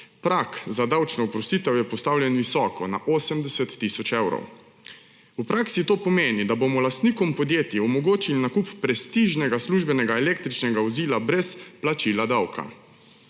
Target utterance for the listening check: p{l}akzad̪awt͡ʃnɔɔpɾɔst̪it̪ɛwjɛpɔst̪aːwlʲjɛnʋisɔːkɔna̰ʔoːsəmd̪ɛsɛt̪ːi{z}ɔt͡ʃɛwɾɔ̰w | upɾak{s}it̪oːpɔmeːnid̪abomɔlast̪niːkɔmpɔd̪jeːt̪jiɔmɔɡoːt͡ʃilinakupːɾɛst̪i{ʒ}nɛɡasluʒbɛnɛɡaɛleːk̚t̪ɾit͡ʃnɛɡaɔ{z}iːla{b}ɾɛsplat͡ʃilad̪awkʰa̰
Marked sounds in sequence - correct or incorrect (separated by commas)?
incorrect, incorrect, correct, correct, correct, correct